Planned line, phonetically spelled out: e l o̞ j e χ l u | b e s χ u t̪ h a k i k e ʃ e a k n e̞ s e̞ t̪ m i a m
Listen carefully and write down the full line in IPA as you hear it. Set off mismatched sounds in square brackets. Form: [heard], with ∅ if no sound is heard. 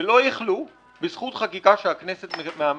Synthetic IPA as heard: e l o̞ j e χ l u | b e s χ u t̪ [χ] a k i k [a] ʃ e a k n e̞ s e̞ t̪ m [e] a m